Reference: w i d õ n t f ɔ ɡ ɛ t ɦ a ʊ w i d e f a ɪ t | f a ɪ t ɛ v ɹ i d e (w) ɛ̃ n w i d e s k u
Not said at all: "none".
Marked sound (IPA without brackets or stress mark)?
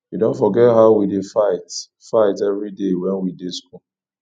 w